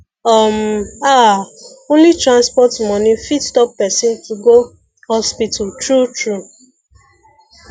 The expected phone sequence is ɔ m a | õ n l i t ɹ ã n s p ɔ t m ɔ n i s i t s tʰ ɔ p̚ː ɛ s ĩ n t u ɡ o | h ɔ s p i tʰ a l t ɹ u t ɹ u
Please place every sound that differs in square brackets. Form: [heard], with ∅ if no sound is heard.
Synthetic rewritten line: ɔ m a | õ n l i t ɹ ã n s p ɔ t m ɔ n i [f] i t s [t] ɔ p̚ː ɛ s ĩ n t u ɡ o | h ɔ s p i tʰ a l t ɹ u t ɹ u

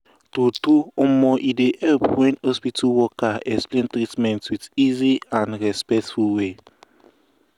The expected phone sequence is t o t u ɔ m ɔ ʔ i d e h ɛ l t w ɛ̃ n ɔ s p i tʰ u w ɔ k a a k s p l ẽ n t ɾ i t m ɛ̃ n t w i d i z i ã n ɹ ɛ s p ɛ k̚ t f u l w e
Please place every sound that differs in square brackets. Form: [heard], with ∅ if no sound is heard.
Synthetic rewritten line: t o t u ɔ m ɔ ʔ i d e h ɛ l [p] w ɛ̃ n ɔ s p i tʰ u w ɔ k a [ɛ] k s p l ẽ n t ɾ i t m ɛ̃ n t w i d i z i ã n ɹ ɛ s p ɛ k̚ t f u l w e

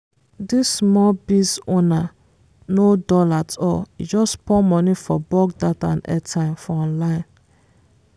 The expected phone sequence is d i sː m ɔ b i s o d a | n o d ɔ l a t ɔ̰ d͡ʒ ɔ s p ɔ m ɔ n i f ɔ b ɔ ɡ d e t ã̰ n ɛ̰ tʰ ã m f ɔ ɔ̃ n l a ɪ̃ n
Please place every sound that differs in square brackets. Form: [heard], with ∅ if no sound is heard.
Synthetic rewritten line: d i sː m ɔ b i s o [n] a | n o d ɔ l a t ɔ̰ d͡ʒ ɔ s p ɔ m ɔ n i f ɔ b ɔ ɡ d [a] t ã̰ n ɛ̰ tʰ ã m f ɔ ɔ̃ n l a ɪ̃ n

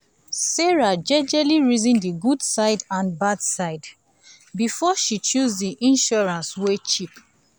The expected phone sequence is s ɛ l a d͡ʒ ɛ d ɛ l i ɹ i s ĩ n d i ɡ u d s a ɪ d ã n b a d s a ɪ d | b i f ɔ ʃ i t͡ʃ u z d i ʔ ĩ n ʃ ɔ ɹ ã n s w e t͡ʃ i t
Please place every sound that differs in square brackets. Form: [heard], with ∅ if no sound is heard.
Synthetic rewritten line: s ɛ [ɹ] a d͡ʒ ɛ [d͡ʒ] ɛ l i ɹ i [z] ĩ n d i ɡ u d s a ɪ d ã n b a d s a ɪ d | b i f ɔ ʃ i t͡ʃ u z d i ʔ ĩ n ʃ ɔ ɹ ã n s w e t͡ʃ i [p]

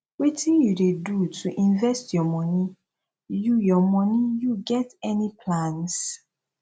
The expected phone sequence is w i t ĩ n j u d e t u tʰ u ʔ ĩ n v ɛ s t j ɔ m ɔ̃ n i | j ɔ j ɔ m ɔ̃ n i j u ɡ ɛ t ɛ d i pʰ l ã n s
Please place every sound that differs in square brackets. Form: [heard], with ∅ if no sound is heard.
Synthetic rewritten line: w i t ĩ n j u d e [d] u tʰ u ʔ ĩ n v ɛ s t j ɔ m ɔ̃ n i | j [u] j ɔ m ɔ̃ n i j u ɡ ɛ t ɛ [n] i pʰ l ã n s

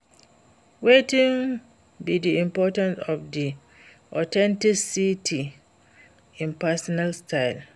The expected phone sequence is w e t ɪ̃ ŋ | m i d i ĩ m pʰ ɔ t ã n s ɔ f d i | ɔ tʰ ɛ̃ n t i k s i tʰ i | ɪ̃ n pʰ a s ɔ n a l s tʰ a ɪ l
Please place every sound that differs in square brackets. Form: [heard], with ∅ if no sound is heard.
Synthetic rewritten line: w e t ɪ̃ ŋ | [b] i d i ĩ m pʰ ɔ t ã n s ɔ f d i | ɔ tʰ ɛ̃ n t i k s i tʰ i | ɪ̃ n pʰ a s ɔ n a l s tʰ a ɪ l

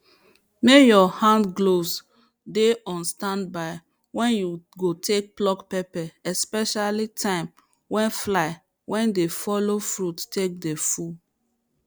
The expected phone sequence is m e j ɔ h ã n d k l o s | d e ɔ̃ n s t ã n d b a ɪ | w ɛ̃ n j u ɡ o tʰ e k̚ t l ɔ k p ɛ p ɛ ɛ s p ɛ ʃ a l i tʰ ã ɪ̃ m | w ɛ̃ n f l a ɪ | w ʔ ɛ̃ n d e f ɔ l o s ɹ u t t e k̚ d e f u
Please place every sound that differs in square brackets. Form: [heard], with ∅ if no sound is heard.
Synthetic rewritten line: m e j ɔ h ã n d [ɡ] l o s | d e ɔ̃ n s t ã n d b a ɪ | w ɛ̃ n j u ɡ o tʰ e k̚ [p] l ɔ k p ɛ p ɛ ɛ s p ɛ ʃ a l i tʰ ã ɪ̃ m | w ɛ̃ n f l a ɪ | w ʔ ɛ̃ n d e f ɔ l o [f] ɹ u t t e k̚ d e f u

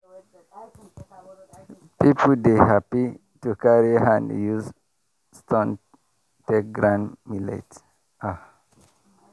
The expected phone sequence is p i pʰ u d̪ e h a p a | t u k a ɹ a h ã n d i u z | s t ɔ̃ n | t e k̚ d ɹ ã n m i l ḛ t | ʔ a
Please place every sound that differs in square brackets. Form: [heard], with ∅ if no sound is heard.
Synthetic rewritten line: p i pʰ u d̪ e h a p [i] | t u k a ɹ [i] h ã n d [j] u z | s t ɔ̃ n | t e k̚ [ɡ] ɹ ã n m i l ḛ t | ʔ a

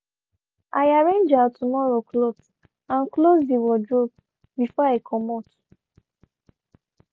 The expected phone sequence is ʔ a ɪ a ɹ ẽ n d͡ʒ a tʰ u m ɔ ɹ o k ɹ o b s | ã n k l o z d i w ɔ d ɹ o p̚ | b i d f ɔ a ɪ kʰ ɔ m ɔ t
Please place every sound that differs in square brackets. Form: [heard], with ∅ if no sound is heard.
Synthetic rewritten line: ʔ a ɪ a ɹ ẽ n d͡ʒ a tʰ u m ɔ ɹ o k [l] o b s | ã n k l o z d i w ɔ d ɹ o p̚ | b i [∅] f ɔ a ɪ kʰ ɔ m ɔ t

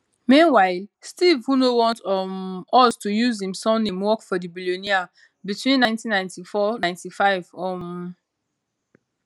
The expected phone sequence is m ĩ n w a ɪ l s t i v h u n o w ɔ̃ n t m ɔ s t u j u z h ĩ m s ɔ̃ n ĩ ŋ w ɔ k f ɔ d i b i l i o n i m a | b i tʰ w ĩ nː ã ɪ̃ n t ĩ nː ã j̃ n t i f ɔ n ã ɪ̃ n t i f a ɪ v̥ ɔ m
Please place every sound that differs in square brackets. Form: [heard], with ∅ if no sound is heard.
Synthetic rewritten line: m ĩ n w a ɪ l s t i v h u n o w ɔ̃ n t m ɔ s t u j u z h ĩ m s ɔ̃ n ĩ [m] w ɔ k f ɔ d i b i l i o n i [∅] a | b i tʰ w ĩ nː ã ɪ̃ n t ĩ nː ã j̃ n t i f ɔ n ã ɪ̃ n t i f a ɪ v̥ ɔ m

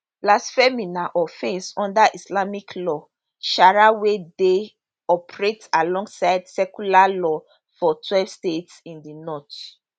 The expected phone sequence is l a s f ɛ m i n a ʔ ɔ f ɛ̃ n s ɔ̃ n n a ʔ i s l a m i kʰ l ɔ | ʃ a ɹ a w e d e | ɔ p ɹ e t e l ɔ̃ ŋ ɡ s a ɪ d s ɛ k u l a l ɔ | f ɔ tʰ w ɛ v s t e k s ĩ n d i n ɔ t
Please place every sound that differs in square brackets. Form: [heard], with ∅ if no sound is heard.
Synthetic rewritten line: l a s f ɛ m i n a ʔ ɔ f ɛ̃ n s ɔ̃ n [d] a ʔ i s l a m i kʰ l ɔ | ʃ a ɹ a w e d e | ɔ p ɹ e t [a] l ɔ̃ ŋ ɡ s a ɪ d s ɛ k u l a l ɔ | f ɔ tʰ w ɛ v s t e [t] s ĩ n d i n ɔ t

